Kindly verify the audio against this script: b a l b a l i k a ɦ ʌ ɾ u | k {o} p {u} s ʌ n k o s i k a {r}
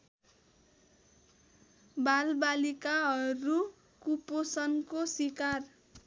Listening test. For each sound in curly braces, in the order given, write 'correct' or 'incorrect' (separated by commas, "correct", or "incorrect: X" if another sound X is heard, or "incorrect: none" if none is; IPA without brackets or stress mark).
incorrect: u, incorrect: o, correct